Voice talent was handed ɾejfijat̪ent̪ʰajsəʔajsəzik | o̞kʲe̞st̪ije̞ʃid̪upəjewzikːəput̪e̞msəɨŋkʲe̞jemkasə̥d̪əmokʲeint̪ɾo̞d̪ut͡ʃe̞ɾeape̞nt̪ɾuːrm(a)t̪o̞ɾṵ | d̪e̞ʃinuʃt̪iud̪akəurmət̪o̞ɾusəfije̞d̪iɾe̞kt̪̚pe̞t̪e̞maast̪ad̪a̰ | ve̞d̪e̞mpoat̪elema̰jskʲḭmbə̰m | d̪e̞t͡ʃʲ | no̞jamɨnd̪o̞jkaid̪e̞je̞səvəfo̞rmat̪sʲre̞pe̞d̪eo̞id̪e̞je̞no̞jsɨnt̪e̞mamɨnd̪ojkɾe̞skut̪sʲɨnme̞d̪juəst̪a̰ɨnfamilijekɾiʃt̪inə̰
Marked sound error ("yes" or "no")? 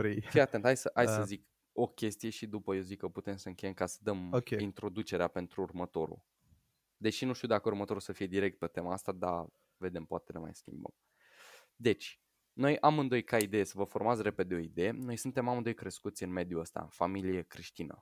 yes